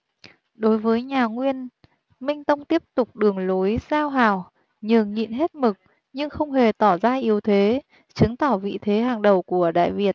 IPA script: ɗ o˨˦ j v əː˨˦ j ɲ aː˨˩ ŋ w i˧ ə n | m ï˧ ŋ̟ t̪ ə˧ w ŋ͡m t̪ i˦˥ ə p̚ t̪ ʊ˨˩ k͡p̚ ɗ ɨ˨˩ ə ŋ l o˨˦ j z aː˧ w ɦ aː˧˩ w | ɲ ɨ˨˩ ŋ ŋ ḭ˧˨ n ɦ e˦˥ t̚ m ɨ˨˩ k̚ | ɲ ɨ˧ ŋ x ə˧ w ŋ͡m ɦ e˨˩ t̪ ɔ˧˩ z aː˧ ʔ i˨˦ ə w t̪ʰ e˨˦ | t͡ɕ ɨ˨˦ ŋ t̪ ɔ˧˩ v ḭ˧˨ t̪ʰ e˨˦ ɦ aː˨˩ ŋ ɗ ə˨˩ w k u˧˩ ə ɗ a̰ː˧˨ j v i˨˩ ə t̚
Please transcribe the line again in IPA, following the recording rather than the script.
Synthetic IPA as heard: ɗ o˨˦ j v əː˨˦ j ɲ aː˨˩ ŋ w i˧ ə n | m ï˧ ŋ̟ t̪ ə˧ w ŋ͡m t̪ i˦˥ ə p̚ t̪ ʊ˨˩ k͡p̚ ɗ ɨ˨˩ ə ŋ l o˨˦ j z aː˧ w ɦ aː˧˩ w | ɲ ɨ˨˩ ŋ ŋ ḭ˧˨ n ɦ e˦˥ t̚ m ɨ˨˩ k̚ | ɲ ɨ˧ ŋ x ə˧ w ŋ͡m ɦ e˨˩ t̪ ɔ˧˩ z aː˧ ʔ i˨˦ ə w t̪ʰ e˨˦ | t͡ɕ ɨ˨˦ ŋ t̪ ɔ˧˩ v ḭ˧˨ t̪ʰ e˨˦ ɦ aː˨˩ ŋ ɗ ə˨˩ w k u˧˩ ə ɗ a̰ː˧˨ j v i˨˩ ə t̚